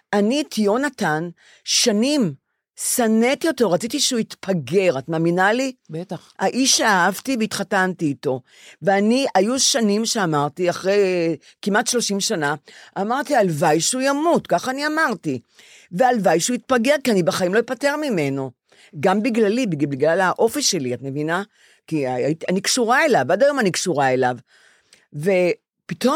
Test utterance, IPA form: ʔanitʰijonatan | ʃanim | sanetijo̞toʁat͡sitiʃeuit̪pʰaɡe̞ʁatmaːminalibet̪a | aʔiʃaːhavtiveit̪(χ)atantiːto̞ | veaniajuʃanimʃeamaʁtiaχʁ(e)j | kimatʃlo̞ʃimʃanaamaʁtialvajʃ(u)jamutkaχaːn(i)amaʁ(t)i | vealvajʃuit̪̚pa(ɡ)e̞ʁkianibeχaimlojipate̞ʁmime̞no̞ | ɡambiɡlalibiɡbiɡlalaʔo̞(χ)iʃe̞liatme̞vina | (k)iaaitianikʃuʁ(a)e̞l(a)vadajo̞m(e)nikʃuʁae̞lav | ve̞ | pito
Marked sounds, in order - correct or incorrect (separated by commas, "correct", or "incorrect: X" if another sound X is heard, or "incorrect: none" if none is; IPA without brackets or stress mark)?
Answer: correct, correct, correct, correct, correct, correct, incorrect: f, correct, correct, correct, incorrect: a